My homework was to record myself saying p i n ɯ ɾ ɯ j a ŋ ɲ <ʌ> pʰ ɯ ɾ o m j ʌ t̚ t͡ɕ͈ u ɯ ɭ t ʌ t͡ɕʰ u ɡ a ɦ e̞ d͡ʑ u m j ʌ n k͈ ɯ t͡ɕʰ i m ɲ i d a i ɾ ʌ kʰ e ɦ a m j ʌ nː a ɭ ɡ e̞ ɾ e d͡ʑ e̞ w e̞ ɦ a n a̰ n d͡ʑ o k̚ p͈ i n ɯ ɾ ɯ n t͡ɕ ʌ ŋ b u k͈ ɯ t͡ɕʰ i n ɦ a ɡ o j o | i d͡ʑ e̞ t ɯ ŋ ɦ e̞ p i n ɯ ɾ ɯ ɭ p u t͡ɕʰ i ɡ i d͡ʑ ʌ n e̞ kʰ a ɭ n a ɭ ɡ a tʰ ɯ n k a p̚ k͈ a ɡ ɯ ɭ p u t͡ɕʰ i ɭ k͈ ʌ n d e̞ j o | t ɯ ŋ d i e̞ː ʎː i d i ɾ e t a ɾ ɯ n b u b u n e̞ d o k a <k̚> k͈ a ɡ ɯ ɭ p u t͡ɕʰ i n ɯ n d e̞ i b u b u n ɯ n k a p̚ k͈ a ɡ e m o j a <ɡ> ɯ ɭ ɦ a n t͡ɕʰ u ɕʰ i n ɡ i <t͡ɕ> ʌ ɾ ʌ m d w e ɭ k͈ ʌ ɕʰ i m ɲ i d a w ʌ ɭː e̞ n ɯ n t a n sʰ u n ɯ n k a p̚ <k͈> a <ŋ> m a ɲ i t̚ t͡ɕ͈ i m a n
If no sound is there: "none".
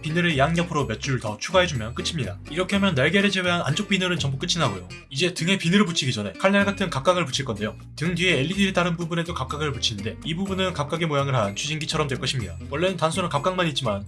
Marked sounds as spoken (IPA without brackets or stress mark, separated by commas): ʌ, p̚, ŋ, t͡ɕʰ, k͈, ŋ